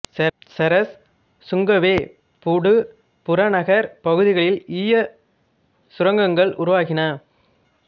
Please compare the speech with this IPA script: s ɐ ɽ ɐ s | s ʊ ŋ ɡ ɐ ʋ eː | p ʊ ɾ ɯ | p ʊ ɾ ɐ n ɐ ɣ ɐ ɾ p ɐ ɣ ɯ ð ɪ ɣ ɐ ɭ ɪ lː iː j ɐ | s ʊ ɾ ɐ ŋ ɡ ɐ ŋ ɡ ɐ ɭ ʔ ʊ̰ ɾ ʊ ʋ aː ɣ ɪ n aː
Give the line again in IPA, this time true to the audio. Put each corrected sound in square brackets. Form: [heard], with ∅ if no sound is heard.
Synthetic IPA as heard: s ɐ [ɾ] ɐ s | s ʊ ŋ ɡ ɐ ʋ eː | p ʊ [ɽ] ɯ | p ʊ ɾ ɐ n ɐ ɣ ɐ ɾ p ɐ ɣ ɯ ð ɪ ɣ ɐ ɭ ɪ [l] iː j ɐ | s ʊ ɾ ɐ ŋ ɡ ɐ ŋ ɡ ɐ ɭ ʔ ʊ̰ ɾ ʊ ʋ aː ɣ ɪ n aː